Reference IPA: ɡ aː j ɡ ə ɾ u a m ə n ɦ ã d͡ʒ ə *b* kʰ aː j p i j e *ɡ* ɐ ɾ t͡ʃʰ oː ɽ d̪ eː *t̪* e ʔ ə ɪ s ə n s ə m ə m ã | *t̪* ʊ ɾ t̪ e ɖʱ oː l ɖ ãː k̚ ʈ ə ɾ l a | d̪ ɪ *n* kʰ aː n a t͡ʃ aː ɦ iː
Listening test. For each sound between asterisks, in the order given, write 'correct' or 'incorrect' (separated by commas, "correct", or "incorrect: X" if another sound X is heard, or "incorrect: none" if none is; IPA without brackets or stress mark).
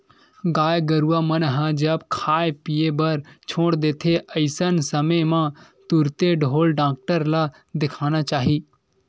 correct, incorrect: b, incorrect: t̪ʰ, correct, incorrect: none